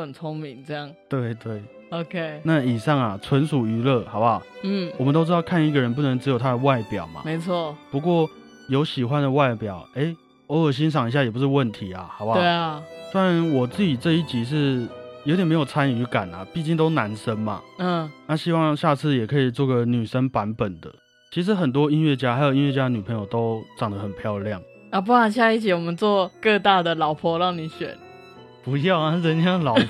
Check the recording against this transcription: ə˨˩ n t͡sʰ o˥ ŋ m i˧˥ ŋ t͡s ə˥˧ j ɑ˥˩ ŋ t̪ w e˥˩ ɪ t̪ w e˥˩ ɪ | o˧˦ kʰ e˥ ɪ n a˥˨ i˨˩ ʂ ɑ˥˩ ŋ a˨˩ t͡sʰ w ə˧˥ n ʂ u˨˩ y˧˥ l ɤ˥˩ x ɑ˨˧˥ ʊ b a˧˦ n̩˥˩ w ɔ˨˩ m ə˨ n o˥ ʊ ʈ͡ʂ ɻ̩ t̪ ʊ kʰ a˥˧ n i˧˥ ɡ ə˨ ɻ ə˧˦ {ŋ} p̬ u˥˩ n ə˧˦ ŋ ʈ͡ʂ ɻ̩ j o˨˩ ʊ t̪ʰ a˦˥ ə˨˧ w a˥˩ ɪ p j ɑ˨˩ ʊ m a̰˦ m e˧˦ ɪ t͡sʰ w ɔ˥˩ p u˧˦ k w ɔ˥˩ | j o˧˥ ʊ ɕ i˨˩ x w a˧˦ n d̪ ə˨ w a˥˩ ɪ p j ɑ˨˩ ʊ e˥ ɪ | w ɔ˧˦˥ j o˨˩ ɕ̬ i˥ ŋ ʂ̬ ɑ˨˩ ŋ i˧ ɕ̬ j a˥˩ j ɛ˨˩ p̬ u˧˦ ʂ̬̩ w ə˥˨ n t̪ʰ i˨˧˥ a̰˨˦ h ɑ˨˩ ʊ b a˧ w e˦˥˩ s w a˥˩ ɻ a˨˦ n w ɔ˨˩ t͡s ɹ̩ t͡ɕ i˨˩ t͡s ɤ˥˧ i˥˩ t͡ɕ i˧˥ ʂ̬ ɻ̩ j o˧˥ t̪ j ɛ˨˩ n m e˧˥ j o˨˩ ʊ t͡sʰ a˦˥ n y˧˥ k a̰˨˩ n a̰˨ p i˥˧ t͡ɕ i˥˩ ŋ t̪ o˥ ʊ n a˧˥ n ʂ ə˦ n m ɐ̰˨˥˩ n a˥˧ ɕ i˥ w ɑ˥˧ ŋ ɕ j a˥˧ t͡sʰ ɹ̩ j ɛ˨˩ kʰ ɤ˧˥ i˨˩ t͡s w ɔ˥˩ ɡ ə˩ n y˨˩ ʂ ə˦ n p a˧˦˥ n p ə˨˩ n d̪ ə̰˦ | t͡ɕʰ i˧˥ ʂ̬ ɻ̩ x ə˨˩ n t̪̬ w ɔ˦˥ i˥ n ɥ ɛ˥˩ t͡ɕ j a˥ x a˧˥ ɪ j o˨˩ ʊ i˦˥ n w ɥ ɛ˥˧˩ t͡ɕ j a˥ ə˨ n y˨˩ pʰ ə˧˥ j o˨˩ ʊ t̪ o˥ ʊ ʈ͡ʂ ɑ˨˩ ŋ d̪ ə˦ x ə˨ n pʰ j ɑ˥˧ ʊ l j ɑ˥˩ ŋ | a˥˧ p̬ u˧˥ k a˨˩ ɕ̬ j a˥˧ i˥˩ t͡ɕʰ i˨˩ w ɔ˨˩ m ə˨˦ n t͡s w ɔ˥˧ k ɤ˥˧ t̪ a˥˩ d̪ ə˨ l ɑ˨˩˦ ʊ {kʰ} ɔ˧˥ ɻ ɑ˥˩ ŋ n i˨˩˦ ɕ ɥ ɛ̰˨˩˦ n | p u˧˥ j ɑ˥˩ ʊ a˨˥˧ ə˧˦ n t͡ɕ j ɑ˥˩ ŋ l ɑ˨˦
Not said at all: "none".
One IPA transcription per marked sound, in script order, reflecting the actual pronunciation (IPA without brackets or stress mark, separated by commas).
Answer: n, pʰ